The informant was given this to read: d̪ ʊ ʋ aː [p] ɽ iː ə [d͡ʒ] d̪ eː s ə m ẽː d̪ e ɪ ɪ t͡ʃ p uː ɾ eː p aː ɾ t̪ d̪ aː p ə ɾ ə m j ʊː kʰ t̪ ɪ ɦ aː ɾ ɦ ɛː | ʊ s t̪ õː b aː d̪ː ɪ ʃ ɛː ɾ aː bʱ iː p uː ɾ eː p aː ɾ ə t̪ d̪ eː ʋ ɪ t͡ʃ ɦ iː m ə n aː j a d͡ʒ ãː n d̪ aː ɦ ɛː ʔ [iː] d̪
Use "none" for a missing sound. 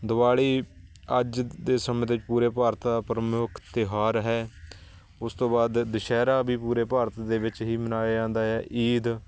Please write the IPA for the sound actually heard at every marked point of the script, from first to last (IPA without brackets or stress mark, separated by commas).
none, d͡ʒ, iː